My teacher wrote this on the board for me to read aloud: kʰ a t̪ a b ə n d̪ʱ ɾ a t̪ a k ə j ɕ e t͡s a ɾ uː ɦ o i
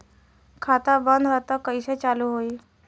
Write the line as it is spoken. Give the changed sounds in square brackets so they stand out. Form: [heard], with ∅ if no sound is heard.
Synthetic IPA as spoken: kʰ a t̪ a b ə n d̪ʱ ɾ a t̪ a k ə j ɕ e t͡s a [l] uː ɦ o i

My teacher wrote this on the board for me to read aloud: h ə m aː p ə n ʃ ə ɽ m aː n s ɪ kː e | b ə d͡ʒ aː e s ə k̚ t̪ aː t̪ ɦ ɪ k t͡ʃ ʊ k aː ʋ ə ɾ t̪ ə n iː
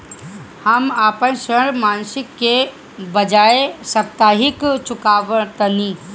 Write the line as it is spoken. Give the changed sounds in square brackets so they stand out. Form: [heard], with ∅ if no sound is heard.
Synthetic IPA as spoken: h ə m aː p ə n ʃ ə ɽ m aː n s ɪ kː e | b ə d͡ʒ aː e s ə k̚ t̪ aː [∅] ɦ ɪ k t͡ʃ ʊ k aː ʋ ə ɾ t̪ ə n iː

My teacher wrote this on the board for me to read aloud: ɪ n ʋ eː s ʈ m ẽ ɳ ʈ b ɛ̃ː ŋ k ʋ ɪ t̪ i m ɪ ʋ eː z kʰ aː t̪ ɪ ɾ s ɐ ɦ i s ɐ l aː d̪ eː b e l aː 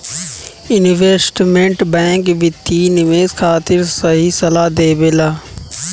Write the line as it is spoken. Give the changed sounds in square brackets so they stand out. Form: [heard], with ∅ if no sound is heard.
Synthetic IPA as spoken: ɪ n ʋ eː s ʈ m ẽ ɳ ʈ b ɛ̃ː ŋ k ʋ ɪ t̪ i [n] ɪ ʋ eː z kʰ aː t̪ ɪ ɾ s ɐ ɦ i s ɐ l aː d̪ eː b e l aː

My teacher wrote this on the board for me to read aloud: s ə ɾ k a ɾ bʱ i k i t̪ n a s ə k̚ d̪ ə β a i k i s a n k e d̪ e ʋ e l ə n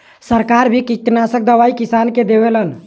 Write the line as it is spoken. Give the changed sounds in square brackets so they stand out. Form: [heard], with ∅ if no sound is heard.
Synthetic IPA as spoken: s ə ɾ k a ɾ bʱ i k i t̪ n a s ə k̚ d̪ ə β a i k i s a n k e d̪ e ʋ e l ə n

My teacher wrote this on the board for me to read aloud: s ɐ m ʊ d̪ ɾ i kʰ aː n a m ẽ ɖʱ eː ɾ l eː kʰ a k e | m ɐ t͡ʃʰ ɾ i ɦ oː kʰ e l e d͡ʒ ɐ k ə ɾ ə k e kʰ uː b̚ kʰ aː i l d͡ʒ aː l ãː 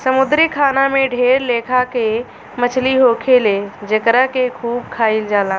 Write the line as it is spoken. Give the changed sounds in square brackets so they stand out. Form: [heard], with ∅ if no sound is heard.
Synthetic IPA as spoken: s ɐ m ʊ d̪ ɾ i kʰ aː n a m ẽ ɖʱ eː ɾ l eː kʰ a k e | m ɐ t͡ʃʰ [l] i ɦ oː kʰ e l e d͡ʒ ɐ k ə ɾ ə k e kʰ uː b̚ kʰ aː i l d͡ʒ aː l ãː

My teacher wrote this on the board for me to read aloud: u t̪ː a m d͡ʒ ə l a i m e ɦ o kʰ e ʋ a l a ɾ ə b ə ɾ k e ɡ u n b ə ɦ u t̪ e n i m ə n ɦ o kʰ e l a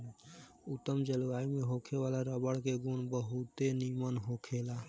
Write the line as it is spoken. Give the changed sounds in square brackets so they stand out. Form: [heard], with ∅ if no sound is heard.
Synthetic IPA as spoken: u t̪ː [ə] m d͡ʒ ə l a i m e ɦ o kʰ e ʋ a l a ɾ ə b ə [ɽ] k e ɡ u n b ə ɦ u t̪ e n i m ə n ɦ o kʰ e l a

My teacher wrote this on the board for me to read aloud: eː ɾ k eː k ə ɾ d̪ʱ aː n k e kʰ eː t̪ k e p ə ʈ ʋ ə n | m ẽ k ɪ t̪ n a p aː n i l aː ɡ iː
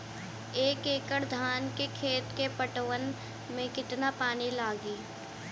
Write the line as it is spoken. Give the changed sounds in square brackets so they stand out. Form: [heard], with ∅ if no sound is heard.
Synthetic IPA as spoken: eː [∅] k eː k ə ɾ d̪ʱ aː n k e kʰ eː t̪ k e p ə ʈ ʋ ə n | m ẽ k ɪ t̪ n a p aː n i l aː ɡ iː

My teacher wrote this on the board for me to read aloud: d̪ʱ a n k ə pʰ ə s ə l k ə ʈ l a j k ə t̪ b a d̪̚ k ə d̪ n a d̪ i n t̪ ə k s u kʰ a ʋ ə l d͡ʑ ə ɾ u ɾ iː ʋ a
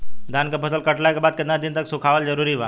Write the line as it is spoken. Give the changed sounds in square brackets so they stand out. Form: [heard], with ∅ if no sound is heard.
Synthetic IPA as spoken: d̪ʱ a n k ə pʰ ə s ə l k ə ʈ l a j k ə [∅] b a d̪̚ k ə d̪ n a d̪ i n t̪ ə k s u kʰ a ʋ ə l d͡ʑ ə ɾ u ɾ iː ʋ a

